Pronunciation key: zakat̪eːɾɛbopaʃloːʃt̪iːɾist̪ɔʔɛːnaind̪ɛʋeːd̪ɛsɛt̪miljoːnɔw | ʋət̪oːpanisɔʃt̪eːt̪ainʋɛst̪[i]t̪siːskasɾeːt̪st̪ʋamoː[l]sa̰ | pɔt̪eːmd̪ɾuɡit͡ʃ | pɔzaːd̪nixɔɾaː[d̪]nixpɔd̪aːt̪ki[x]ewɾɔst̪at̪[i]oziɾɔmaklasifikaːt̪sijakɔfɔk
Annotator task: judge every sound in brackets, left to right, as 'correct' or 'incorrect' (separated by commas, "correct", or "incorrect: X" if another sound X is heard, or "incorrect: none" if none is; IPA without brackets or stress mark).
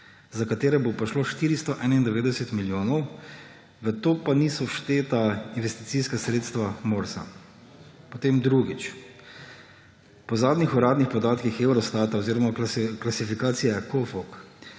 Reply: correct, incorrect: ɾ, correct, correct, incorrect: a